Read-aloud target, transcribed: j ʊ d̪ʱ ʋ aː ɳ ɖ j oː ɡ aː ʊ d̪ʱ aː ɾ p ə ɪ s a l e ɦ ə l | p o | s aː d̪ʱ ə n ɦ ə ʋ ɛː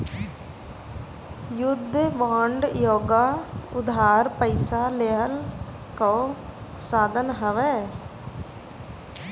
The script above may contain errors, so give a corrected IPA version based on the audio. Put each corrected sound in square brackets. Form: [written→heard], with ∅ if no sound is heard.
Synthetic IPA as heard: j ʊ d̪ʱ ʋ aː ɳ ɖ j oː ɡ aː ʊ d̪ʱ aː ɾ p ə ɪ s a l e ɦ ə l | [p→k] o | s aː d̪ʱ ə n ɦ ə ʋ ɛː